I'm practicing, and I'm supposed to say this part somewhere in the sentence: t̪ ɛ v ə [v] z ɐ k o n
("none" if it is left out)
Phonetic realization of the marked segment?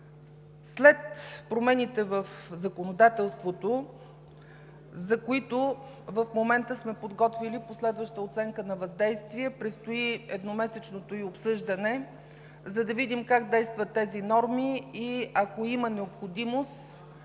f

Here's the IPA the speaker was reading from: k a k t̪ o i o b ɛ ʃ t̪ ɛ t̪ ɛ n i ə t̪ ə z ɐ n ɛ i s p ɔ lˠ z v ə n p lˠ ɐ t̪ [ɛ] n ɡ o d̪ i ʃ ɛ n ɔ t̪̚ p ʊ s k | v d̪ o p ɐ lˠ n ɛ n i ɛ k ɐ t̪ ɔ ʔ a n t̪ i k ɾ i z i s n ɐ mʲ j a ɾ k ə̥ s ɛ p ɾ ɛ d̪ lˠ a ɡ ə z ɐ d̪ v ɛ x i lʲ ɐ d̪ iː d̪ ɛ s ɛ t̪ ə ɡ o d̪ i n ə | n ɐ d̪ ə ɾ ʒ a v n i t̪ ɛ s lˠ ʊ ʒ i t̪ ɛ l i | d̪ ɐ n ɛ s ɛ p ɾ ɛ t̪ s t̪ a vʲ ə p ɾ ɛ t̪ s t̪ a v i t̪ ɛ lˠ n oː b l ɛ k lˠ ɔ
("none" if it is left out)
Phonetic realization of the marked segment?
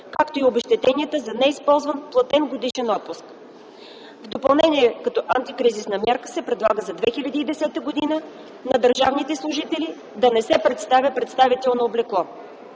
ɛ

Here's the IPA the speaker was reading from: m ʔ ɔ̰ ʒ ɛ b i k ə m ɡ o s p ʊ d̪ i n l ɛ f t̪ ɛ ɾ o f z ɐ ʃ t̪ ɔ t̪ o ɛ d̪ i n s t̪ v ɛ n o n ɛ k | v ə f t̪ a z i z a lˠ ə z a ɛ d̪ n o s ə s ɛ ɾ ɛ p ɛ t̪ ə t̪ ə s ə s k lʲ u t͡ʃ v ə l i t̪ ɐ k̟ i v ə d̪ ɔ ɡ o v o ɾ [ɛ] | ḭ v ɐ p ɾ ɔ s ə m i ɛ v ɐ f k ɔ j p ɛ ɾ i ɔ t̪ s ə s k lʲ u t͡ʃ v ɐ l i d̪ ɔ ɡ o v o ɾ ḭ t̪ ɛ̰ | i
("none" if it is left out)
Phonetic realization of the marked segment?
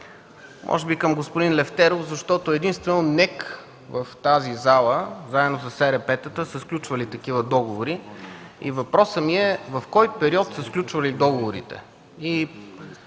i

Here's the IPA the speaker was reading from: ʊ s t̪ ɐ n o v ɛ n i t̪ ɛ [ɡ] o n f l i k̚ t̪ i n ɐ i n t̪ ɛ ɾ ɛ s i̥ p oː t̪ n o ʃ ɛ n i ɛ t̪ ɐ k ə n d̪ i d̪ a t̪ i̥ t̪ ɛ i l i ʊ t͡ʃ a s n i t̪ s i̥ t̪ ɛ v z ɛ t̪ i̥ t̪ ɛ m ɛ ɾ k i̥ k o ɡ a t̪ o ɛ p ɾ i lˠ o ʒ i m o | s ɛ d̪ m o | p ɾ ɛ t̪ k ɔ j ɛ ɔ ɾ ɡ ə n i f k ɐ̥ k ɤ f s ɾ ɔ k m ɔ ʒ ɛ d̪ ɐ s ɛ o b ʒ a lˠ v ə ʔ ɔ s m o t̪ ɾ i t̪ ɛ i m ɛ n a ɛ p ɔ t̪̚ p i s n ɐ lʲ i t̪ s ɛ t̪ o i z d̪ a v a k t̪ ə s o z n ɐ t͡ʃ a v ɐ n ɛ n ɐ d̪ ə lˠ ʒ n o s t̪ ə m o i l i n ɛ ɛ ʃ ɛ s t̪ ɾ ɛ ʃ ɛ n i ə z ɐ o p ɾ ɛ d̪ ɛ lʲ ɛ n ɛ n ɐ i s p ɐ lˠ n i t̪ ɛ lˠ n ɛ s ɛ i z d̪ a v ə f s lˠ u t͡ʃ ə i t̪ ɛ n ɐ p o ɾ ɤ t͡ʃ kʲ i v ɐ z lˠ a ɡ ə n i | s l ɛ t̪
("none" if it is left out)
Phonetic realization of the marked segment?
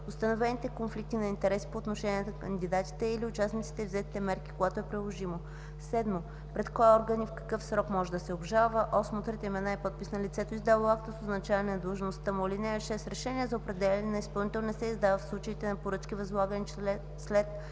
k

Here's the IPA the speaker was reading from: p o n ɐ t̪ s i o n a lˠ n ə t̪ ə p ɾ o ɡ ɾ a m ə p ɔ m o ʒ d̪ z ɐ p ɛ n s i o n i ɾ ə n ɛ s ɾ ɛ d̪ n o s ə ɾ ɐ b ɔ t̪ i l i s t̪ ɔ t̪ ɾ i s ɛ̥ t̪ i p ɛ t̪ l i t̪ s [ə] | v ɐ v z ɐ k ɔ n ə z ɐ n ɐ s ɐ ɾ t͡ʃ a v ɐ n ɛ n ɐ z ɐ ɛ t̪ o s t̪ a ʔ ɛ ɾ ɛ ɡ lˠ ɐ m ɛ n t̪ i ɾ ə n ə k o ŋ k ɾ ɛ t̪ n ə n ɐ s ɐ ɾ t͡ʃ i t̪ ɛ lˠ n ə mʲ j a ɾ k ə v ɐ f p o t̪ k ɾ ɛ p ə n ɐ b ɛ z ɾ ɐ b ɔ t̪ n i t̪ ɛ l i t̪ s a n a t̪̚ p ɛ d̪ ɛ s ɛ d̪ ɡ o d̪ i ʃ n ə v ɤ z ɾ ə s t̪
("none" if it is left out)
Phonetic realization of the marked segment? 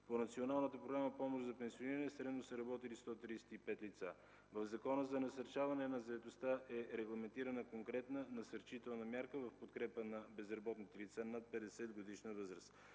a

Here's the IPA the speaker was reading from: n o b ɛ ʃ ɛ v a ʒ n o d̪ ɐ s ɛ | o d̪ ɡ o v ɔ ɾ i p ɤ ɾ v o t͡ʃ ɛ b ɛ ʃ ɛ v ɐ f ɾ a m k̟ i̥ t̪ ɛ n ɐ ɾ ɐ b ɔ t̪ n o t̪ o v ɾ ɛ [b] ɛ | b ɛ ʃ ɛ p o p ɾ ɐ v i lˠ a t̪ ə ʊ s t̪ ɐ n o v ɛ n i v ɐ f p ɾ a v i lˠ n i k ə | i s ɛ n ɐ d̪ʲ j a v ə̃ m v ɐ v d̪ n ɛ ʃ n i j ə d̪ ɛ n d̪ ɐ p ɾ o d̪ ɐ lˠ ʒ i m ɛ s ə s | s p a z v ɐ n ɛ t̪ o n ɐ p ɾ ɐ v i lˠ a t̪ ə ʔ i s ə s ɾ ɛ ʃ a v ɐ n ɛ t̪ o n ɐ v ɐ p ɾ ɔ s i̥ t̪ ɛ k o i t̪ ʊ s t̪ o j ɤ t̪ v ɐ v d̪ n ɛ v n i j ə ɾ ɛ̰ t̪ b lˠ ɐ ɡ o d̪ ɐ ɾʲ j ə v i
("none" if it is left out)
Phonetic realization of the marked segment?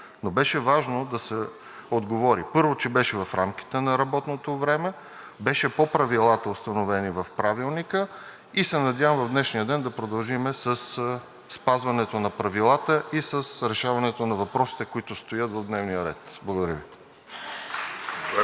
m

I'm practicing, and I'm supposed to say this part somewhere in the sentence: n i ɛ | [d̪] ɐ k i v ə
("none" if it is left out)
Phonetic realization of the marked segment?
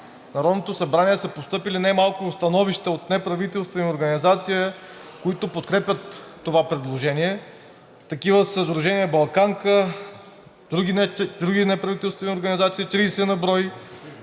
t̪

